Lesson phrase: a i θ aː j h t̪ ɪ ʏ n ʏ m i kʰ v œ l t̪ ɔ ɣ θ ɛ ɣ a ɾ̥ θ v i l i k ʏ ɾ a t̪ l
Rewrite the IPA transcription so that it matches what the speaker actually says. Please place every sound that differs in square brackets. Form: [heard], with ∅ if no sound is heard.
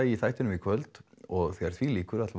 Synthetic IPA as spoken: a i θ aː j h t̪ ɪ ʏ n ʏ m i kʰ v œ l t̪ ɔ ɣ θ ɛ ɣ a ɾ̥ θ v i l [iː] k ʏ ɾ a t̪ l